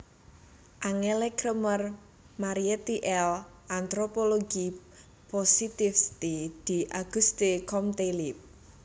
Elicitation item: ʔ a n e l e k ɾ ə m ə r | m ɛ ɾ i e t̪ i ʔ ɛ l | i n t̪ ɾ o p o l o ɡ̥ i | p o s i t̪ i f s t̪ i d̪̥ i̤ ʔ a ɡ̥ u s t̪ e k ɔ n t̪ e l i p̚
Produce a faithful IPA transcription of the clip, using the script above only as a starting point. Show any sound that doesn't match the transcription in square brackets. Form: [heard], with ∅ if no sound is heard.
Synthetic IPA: ʔ a [ŋ] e l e k ɾ ə m ə r | m [a] ɾ i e t̪ i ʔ ɛ l | [a] n t̪ ɾ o p o l o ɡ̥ i | p o s i t̪ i f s t̪ i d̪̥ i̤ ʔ a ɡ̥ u s t̪ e k ɔ [m] t̪ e l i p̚

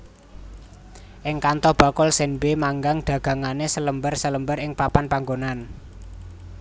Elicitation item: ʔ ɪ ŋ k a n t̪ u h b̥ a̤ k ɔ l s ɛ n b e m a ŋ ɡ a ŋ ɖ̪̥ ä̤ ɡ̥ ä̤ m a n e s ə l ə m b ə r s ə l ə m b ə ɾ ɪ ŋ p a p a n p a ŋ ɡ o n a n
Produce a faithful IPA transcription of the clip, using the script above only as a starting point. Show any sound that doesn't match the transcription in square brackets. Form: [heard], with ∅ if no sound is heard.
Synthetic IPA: ʔ ɪ ŋ k a n t̪ [ɔ] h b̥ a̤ k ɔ l s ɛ n b e m a ŋ ɡ a ŋ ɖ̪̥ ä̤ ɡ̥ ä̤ [ŋ] a n e s ə l ə m b ə r s ə l ə m b ə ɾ ɪ ŋ p a p a n p a ŋ ɡ o n a n

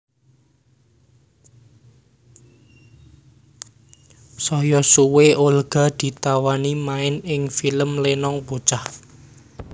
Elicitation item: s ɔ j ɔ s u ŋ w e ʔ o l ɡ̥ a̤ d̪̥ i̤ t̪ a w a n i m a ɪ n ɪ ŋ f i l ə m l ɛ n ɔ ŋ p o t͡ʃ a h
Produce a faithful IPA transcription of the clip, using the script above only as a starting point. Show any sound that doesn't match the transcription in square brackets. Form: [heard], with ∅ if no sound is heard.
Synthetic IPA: s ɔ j ɔ s u [∅] w e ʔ o l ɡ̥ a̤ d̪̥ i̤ t̪ a w a n i m a ɪ n ɪ ŋ f i l ə m l [e] n ɔ ŋ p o t͡ʃ a h

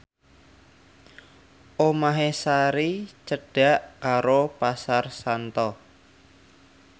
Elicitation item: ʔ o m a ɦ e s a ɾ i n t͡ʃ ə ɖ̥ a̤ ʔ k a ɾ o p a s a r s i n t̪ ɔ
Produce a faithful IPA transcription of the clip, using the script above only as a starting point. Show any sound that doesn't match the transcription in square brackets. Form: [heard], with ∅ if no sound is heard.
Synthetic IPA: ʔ o m a ɦ e s a ɾ i [∅] t͡ʃ ə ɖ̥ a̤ ʔ k a ɾ o p a s a r s [a] n t̪ ɔ

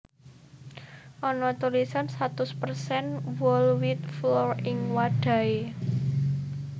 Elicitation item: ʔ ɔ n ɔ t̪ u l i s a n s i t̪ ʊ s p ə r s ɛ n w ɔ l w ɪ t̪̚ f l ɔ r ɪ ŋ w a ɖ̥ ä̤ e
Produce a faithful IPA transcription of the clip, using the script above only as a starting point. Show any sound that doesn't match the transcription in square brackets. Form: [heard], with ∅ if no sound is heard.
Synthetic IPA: ʔ ɔ n ɔ t̪ u l i s a n s [a] t̪ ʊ s p ə r s ɛ n w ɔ l w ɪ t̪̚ f l ɔ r ɪ ŋ w a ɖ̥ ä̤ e

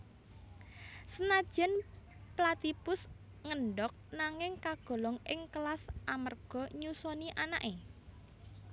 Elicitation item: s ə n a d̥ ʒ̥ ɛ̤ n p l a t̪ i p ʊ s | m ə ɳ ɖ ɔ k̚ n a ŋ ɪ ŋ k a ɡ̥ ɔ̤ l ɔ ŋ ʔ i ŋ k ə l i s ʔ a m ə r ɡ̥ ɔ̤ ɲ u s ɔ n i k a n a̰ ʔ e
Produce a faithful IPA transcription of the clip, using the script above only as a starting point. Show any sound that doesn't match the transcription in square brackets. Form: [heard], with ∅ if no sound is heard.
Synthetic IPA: s ə n a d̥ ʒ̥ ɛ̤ n p l a t̪ i p ʊ s | [ŋ] ə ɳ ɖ ɔ k̚ n a ŋ ɪ ŋ k a ɡ̥ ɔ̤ l ɔ ŋ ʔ [ɪ] ŋ k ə l [a] s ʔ a m ə r ɡ̥ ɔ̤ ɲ u s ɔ n i [ʔ] a n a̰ ʔ e

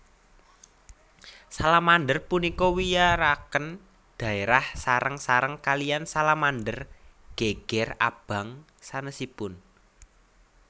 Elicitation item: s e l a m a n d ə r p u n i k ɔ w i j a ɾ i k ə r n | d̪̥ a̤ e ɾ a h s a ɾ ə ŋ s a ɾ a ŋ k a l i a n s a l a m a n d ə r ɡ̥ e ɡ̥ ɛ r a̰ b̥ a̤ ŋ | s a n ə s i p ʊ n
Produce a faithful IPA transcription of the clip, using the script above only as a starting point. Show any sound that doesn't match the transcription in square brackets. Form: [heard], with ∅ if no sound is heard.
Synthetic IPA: s [a] l a m a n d ə r p u n i k ɔ w i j a ɾ [a] k ə [∅] n | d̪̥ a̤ e ɾ a h s a ɾ ə ŋ s a ɾ [ə] ŋ k a l i a n s a l a m a n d ə r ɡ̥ e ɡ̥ ɛ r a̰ b̥ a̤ ŋ | s a n ə s i p ʊ n

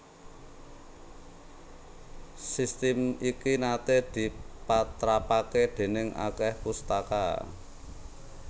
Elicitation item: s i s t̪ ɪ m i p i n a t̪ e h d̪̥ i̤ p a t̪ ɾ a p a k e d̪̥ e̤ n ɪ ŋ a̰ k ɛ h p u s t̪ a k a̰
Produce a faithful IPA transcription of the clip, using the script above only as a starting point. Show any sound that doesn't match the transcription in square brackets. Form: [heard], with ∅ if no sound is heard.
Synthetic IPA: s i s t̪ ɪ m i [k] i n a t̪ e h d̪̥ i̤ p a t̪ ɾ a p a k e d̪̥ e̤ n ɪ ŋ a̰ k ɛ h p u s t̪ a k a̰

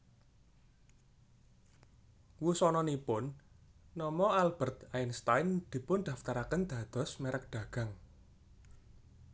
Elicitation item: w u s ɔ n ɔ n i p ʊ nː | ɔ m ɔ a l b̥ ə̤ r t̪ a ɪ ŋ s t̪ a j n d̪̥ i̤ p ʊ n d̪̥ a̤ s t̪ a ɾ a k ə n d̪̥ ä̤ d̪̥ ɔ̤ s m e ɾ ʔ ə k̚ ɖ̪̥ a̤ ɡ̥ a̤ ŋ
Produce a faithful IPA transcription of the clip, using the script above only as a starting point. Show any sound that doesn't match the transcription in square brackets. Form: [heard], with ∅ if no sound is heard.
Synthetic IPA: w u s ɔ n ɔ n i p ʊ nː | ɔ m ɔ a l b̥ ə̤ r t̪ a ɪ [n] s t̪ a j n d̪̥ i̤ p ʊ n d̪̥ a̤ [f] t̪ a ɾ a k ə n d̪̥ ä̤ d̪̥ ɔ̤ s m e ɾ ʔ ə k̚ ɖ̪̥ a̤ ɡ̥ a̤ ŋ

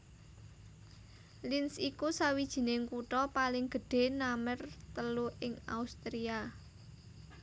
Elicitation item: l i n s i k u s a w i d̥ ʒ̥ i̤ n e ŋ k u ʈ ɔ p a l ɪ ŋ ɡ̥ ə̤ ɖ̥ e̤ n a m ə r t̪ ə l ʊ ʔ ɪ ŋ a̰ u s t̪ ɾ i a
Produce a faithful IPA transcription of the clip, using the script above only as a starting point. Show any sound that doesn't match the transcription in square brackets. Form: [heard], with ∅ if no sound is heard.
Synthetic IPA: l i n s i k u s a w i d̥ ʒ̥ i̤ n e ŋ k u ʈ ɔ p a l ɪ ŋ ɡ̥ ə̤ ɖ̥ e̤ n a m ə r t̪ ə l [u] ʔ ɪ ŋ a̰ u s t̪ ɾ i a

